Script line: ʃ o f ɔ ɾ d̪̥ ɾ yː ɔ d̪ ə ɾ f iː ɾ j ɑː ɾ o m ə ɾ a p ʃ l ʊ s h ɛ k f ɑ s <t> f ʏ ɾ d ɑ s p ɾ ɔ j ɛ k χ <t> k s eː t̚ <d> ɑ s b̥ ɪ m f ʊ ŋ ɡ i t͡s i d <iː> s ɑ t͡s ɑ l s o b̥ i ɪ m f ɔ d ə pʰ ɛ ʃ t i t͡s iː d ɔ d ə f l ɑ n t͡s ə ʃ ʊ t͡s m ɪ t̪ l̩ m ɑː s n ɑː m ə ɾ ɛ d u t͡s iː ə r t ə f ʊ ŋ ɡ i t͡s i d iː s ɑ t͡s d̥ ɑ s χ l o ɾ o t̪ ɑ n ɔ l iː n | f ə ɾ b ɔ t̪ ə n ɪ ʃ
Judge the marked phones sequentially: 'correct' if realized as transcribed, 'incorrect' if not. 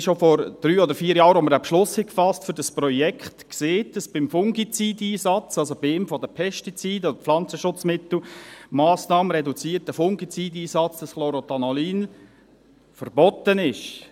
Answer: correct, correct, correct, correct

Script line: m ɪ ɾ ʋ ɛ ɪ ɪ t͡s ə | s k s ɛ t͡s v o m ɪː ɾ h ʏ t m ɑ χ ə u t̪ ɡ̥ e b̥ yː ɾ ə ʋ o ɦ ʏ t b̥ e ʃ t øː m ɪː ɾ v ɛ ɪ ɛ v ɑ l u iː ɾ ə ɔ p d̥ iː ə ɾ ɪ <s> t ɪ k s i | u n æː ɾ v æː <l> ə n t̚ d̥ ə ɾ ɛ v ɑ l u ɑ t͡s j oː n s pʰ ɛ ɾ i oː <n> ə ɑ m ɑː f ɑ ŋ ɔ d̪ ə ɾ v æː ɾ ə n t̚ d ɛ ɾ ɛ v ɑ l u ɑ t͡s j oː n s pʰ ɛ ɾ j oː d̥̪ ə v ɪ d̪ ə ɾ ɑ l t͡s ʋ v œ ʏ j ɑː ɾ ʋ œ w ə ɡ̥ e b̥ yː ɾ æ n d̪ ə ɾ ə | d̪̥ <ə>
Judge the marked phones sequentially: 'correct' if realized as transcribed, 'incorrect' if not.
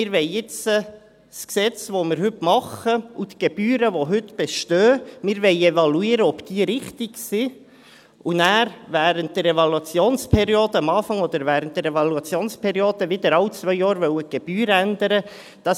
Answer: incorrect: χ, incorrect: ɾ, incorrect: d, incorrect: ɑ

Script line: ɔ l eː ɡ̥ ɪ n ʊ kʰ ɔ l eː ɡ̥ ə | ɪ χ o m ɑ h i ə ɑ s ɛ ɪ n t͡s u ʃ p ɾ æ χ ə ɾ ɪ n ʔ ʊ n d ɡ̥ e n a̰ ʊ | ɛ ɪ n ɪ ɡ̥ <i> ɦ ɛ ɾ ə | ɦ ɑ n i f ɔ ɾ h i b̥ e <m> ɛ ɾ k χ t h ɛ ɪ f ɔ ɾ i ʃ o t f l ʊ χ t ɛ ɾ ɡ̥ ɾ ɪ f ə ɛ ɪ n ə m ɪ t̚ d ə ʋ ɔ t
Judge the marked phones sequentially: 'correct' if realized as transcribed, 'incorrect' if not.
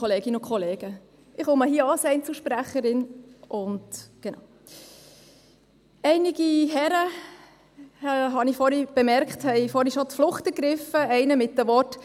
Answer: correct, correct

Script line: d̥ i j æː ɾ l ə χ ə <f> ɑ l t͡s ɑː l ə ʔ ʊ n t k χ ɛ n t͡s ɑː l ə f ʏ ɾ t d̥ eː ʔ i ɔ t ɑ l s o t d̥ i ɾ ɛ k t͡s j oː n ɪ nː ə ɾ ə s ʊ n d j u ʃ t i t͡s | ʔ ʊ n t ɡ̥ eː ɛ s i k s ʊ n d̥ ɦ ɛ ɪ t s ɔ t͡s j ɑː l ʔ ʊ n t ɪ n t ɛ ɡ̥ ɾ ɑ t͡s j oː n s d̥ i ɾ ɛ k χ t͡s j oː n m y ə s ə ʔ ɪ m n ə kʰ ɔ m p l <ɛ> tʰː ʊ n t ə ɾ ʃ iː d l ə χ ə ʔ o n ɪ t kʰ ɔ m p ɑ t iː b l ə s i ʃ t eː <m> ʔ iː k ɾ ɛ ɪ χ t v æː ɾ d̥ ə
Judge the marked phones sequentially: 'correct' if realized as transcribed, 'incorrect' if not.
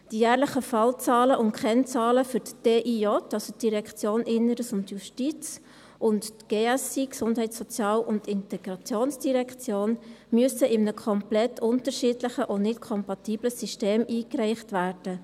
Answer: correct, correct, correct

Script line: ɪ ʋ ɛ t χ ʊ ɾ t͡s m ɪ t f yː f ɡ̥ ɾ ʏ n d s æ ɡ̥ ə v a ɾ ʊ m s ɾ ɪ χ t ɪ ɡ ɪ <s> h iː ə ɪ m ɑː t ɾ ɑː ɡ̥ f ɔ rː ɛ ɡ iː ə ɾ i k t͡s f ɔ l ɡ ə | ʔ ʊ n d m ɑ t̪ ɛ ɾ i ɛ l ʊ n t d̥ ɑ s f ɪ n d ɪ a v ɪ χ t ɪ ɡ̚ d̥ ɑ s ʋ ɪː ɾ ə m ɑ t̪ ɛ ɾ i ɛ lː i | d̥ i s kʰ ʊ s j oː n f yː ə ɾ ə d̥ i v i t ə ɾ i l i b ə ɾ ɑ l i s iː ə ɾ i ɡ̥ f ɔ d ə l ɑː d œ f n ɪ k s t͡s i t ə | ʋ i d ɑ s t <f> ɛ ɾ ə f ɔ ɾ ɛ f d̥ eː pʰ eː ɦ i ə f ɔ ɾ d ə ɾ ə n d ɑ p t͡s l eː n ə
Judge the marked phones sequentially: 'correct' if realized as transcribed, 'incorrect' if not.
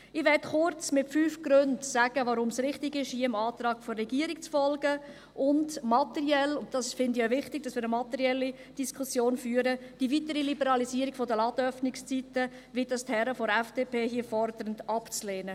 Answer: incorrect: ʃ, incorrect: h

